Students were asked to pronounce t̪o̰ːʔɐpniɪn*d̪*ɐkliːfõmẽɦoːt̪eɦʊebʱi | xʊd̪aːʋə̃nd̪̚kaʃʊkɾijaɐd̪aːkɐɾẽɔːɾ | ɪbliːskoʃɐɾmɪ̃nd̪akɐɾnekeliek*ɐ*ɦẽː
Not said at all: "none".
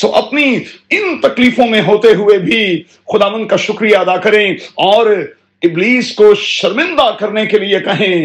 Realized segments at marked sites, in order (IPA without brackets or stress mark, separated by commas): t̪, ɐ